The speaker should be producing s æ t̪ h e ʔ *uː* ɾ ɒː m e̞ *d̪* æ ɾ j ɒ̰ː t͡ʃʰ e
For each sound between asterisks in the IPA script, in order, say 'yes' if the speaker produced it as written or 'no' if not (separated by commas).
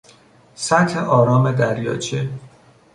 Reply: no, yes